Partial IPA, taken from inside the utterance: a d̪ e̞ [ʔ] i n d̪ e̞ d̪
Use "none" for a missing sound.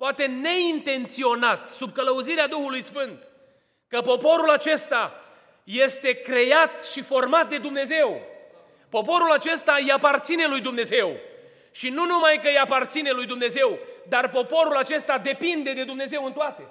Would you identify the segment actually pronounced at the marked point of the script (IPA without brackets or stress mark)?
p